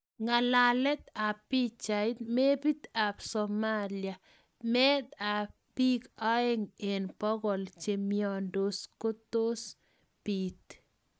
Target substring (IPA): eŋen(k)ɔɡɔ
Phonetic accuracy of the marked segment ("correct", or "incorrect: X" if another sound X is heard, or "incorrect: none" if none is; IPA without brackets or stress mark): incorrect: p